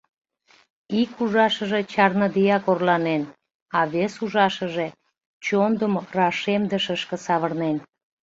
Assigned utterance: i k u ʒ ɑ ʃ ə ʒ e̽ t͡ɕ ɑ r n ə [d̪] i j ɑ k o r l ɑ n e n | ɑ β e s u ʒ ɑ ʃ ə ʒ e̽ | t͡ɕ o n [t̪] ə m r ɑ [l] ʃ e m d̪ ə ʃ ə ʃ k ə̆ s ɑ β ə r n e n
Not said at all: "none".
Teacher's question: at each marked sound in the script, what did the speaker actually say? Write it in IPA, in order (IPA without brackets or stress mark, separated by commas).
d̪, d̪, none